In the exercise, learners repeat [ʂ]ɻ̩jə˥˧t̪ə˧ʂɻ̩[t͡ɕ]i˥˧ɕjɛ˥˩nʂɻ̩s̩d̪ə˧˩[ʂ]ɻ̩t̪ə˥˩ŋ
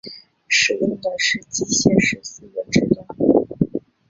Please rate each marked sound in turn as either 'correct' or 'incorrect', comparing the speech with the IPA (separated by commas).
correct, correct, incorrect